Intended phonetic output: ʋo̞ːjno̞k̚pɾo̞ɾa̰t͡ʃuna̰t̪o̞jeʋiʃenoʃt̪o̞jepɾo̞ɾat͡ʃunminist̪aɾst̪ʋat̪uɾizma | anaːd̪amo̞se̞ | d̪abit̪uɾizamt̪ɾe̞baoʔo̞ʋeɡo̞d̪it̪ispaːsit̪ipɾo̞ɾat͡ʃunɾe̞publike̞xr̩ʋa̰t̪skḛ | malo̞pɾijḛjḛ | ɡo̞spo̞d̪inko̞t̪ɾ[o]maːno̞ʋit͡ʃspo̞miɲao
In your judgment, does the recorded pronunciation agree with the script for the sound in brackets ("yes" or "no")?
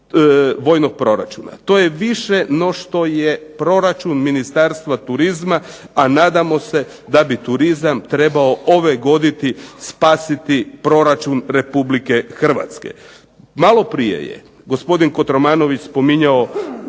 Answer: yes